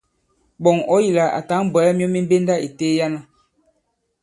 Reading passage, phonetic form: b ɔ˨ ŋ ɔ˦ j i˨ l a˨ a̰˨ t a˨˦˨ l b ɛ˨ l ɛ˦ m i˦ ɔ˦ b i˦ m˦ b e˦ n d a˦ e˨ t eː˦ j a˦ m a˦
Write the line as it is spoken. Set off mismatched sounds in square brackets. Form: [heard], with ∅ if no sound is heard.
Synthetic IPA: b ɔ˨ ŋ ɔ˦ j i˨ l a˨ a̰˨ t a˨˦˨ [∅] b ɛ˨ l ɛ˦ m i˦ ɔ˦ [m] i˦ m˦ b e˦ n d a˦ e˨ t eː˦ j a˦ [n] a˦